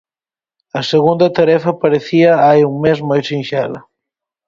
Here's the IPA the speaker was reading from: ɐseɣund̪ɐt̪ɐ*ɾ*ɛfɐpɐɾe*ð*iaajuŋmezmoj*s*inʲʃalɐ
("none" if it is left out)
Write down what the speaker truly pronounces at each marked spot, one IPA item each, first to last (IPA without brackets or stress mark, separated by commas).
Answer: ɾ, θ, s